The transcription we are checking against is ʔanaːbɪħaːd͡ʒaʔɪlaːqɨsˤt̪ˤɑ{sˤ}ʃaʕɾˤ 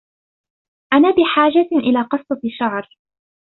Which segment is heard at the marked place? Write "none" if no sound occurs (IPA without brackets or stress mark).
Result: none